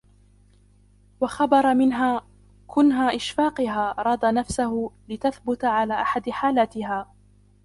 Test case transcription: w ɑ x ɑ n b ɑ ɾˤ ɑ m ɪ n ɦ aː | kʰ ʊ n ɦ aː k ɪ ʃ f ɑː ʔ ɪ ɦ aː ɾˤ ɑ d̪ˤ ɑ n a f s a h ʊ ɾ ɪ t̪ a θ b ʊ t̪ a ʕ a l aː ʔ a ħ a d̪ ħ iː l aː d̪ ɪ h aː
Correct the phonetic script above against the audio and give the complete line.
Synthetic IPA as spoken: w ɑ x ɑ b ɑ ɾˤ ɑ m ɪ n ɦ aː | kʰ ʊ n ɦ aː ʔ ɪ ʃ f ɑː q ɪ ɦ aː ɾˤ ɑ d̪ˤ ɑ n a f s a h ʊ l ɪ t̪ a θ b ʊ t̪ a ʕ a l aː ʔ a ħ a d̪ ħ aː l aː t̪ ɪ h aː